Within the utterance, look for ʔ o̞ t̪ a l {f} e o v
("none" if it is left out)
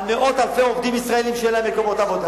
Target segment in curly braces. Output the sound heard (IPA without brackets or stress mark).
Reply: f